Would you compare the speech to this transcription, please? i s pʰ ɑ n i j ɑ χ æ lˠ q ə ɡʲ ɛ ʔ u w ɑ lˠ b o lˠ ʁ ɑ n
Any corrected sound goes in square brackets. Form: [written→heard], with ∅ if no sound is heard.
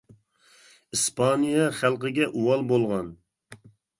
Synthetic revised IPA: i s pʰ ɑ n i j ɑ χ æ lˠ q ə ɡʲ ɛ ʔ u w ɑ lˠ b o lˠ ʁ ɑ n